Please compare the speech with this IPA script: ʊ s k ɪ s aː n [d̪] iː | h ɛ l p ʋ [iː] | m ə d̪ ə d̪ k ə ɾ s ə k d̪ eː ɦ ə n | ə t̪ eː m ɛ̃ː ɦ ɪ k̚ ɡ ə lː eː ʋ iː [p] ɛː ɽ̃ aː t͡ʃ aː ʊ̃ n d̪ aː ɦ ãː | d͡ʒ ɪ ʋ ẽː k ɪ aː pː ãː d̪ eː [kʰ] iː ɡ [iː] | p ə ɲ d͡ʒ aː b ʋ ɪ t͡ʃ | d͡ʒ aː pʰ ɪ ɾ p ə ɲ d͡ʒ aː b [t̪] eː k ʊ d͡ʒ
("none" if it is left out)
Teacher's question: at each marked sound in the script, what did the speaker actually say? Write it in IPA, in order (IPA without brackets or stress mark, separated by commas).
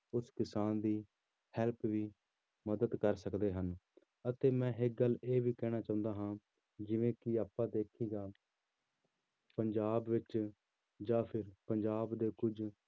d̪, iː, k, kʰ, aː, d̪